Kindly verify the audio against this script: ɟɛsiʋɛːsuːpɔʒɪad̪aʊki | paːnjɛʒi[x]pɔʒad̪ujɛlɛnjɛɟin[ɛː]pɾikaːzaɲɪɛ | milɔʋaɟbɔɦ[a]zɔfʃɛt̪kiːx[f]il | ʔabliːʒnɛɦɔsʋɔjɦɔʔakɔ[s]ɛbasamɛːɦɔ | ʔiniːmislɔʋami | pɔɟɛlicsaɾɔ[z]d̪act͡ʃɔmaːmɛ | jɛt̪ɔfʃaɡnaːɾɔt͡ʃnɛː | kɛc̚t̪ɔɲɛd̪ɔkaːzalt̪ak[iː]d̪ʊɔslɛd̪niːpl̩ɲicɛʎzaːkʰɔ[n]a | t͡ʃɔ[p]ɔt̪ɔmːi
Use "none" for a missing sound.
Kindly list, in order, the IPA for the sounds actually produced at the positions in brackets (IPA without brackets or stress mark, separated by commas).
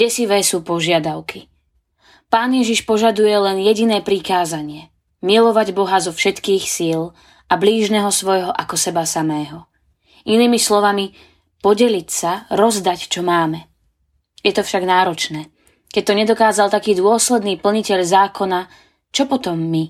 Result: ʃ, ɛː, a, s, s, z, iː, n, p